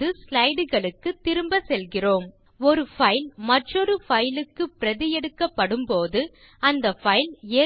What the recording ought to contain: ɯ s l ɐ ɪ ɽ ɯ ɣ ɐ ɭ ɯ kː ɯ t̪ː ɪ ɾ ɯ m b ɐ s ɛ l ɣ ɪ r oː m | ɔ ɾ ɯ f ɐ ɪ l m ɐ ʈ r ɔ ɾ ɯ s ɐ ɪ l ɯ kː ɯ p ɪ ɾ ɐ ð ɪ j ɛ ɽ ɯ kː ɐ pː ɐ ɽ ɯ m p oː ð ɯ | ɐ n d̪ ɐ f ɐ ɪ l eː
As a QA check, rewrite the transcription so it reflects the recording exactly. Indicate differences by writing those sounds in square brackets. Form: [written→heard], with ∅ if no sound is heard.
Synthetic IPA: ɯ s l ɐ ɪ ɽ ɯ ɣ ɐ ɭ ɯ kː ɯ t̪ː ɪ ɾ ɯ m b ɐ s ɛ l ɣ ɪ r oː m | ɔ ɾ ɯ f ɐ ɪ l m ɐ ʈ r ɔ ɾ ɯ [s→f] ɐ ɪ l ɯ kː ɯ p ɪ ɾ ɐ ð ɪ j ɛ ɽ ɯ kː ɐ pː ɐ ɽ ɯ m p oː ð ɯ | ɐ n d̪ ɐ f ɐ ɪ l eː